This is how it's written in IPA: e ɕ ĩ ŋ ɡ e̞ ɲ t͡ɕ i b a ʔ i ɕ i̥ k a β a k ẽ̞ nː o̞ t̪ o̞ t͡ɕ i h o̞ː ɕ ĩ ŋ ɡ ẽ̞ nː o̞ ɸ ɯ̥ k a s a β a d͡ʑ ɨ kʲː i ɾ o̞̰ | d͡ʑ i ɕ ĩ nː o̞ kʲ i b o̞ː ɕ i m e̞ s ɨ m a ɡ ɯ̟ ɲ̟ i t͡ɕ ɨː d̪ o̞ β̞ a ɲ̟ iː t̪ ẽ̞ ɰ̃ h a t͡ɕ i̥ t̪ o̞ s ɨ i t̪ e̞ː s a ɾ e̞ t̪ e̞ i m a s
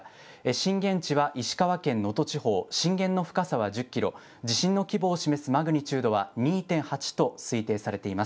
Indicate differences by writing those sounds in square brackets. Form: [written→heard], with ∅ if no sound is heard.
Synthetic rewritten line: e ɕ ĩ ŋ ɡ [e̞→ẽ̞] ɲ t͡ɕ i [b→β] a ʔ i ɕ i̥ k a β a k ẽ̞ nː o̞ t̪ o̞ t͡ɕ i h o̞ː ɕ ĩ ŋ ɡ ẽ̞ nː o̞ ɸ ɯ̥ k a s a β a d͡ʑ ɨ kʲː i ɾ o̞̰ | d͡ʑ i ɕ ĩ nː o̞ kʲ i b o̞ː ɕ i m e̞ s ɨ m a ɡ ɯ̟ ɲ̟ i t͡ɕ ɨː d̪ o̞ β̞ a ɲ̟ iː t̪ ẽ̞ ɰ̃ h a t͡ɕ i̥ t̪ o̞ s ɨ i t̪ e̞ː s a ɾ e̞ t̪ e̞ i m a s